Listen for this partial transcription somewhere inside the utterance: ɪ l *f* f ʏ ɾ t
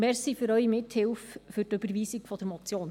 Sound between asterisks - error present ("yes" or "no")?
no